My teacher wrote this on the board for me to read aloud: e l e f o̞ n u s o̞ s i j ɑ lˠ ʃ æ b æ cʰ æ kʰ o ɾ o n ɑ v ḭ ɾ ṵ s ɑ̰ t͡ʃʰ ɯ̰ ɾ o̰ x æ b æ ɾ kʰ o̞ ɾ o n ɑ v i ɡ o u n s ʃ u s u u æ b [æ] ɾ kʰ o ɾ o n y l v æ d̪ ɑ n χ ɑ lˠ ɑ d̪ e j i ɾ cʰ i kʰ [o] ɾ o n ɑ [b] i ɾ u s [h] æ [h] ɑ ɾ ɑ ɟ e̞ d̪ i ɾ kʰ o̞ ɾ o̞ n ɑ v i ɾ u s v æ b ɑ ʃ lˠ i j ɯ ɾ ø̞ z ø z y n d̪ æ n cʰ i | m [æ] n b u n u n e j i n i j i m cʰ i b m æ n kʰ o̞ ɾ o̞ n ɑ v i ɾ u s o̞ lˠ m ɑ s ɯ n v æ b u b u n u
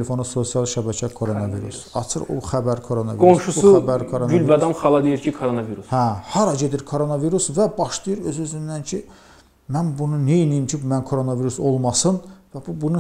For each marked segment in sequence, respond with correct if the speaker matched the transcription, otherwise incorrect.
correct, correct, incorrect: v, correct, correct, correct

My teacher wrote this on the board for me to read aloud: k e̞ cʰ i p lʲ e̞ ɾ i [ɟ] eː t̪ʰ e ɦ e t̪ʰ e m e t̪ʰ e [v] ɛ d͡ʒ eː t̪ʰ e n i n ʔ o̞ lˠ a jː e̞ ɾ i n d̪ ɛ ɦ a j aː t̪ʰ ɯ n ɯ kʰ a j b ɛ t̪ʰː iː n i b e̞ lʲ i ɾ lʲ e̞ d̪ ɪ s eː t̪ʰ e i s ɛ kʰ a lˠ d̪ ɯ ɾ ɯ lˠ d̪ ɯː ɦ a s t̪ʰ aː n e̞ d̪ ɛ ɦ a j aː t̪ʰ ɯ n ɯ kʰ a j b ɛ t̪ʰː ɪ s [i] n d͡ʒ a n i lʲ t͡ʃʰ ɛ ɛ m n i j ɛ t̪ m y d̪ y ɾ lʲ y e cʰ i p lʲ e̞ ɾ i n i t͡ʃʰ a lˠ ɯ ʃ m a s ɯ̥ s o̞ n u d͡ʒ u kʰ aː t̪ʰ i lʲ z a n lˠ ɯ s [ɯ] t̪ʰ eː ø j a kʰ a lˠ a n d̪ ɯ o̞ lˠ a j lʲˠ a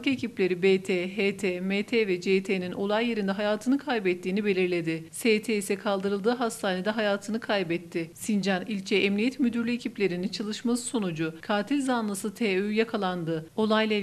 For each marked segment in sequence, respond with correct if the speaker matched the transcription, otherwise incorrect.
incorrect: b, correct, correct, correct

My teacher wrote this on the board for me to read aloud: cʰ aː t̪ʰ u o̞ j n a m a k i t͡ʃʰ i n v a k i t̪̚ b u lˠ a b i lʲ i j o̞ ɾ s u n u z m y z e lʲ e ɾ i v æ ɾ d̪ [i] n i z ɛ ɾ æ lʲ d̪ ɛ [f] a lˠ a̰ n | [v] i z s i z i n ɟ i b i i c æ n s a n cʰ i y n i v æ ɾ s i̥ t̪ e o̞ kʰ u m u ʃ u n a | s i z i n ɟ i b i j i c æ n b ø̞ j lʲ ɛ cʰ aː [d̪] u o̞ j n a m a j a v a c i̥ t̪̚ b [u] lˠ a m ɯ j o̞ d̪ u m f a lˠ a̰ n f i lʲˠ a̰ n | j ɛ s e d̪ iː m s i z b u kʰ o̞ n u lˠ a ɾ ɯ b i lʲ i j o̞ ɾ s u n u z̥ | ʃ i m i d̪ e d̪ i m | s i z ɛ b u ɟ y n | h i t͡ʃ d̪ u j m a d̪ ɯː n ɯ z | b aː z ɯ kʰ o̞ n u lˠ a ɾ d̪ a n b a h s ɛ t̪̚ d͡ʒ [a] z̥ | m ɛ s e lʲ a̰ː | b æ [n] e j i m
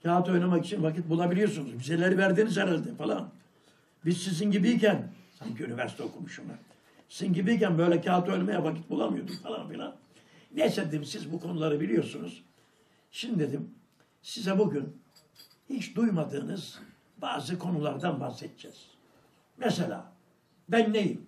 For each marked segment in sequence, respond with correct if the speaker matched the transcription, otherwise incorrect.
incorrect: iː, correct, incorrect: b, incorrect: t̪, correct, incorrect: ɛ, incorrect: nː

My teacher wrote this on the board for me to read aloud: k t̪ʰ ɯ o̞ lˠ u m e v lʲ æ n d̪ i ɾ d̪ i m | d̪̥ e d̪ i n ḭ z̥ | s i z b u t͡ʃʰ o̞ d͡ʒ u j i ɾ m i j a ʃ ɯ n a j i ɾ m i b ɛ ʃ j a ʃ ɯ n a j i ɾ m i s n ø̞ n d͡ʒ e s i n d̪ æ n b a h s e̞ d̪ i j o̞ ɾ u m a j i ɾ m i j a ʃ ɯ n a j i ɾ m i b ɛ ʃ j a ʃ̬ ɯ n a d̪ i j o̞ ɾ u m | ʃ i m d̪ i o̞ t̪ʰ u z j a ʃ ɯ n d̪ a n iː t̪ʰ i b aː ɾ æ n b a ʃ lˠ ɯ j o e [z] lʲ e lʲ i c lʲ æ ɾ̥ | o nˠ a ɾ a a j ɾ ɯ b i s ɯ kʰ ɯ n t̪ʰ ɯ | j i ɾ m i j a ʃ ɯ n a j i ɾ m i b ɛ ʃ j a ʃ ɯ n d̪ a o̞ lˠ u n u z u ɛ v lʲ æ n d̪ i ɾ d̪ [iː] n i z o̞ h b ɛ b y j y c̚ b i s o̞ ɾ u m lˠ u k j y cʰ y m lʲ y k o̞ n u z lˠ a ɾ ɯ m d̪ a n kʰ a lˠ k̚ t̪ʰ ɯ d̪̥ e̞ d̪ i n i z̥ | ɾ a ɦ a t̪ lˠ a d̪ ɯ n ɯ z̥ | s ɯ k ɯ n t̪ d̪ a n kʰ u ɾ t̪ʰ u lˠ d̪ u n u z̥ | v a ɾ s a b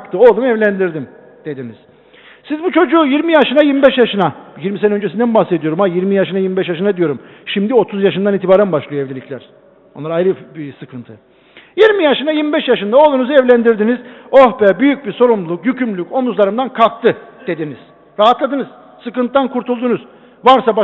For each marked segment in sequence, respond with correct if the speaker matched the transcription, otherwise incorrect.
incorrect: v, incorrect: i

